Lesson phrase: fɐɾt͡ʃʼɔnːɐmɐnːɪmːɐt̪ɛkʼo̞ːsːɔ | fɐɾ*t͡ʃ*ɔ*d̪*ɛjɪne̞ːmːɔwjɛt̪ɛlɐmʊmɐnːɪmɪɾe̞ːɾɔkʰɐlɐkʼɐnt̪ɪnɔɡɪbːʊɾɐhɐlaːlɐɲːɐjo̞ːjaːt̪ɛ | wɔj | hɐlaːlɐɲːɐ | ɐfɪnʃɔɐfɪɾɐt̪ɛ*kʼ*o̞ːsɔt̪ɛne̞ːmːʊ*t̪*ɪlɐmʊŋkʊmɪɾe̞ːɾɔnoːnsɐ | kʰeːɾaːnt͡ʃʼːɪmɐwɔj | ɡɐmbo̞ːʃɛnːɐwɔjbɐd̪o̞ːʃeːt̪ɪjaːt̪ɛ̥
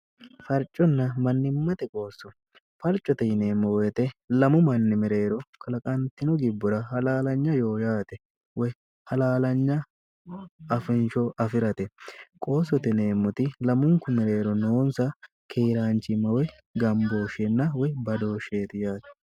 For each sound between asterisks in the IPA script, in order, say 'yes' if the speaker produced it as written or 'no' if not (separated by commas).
no, no, yes, yes